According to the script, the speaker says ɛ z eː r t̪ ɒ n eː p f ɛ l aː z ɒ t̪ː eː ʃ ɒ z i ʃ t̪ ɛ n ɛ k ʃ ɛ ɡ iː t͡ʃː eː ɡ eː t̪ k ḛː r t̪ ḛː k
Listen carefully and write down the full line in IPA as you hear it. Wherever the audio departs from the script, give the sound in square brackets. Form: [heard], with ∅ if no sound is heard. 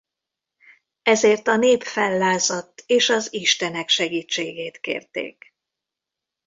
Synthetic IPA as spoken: ɛ z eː r t̪ ɒ n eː p f ɛ [lː] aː z ɒ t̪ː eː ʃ ɒ z i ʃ t̪ ɛ n ɛ k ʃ ɛ ɡ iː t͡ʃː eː ɡ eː t̪ k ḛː r t̪ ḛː k